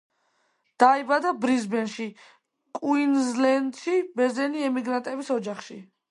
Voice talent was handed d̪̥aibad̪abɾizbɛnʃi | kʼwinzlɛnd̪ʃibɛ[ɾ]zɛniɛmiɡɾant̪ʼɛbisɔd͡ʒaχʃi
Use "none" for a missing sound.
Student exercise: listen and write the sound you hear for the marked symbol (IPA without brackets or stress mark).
ɾ